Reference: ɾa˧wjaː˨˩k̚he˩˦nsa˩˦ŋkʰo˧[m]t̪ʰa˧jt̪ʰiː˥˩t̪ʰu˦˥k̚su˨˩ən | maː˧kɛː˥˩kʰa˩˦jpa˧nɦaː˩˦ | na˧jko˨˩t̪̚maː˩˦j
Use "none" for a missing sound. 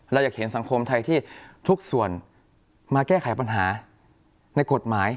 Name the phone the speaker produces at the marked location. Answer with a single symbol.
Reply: m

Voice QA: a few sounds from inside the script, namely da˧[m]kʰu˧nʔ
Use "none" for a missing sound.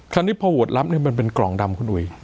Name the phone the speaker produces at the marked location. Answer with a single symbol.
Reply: m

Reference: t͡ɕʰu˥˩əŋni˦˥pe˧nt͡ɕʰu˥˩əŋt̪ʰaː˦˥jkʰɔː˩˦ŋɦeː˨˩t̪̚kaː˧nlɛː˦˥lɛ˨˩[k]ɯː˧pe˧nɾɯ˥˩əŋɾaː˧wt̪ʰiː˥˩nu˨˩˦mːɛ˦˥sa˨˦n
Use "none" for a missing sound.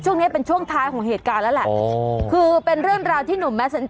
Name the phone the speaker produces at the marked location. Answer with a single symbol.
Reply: kʰ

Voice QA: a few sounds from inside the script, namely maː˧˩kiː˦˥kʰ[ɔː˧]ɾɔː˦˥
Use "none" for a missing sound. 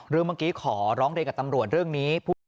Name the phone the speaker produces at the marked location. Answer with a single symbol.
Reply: ɔː˩˦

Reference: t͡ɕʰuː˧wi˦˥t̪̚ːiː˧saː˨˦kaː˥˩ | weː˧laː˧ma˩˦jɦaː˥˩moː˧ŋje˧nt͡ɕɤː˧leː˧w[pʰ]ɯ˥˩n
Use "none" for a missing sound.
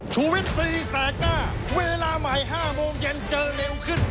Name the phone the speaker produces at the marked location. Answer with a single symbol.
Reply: kʰ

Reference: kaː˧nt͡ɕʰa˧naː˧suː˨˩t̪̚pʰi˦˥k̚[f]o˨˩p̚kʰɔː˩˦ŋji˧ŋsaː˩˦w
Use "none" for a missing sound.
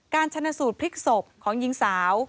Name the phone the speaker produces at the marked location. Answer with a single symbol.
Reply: s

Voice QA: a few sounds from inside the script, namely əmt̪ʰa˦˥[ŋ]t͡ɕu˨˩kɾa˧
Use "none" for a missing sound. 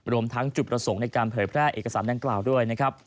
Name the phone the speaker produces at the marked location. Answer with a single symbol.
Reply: ŋ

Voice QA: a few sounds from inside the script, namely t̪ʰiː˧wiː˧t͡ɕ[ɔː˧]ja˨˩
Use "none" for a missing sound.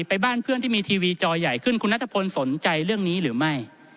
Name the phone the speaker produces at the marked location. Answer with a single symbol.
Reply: ɔː˧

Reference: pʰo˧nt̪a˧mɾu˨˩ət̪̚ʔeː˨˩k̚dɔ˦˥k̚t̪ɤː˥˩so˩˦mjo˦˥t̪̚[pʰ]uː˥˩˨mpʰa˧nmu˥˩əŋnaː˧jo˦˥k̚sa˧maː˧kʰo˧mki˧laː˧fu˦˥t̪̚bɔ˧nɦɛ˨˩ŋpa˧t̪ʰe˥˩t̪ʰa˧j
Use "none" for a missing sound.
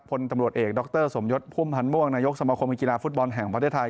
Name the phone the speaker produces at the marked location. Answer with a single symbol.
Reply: pʰ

